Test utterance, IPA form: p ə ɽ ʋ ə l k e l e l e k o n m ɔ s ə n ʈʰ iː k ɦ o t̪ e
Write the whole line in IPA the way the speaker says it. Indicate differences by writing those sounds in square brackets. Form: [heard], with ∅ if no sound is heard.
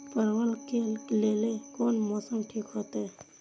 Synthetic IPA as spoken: p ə [ɾ] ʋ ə l k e l e l e k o n m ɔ s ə [m] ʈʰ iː k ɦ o t̪ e